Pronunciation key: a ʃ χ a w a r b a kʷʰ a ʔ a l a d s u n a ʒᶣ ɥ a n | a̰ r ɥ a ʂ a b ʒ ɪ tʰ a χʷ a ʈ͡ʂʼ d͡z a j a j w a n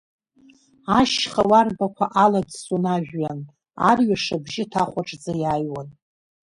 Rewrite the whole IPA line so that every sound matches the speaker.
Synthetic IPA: a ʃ χ a w a r b a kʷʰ a ʔ a l a d s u n a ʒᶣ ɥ a n | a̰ r ɥ a ʂ a b ʒ ɪ tʰ a χʷ a ʈ͡ʂʼ d͡z a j a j w a n